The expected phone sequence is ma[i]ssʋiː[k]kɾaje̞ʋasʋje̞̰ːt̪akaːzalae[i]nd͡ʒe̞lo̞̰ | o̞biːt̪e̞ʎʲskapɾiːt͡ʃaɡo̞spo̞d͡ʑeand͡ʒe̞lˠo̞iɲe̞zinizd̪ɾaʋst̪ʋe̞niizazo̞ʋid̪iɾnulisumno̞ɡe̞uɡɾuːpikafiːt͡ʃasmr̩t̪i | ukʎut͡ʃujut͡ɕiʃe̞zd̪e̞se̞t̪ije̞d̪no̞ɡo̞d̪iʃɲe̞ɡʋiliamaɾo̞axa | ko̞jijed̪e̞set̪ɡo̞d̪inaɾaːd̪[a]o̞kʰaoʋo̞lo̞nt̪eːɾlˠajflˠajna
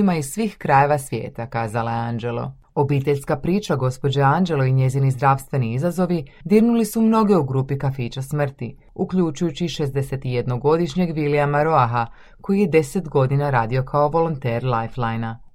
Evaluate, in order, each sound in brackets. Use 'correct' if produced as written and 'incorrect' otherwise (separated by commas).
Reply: correct, incorrect, incorrect, incorrect